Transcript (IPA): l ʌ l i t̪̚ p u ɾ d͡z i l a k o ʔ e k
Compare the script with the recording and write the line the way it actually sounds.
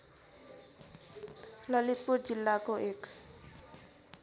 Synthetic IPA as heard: l ʌ l i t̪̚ p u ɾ d͡z i lː a k o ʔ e k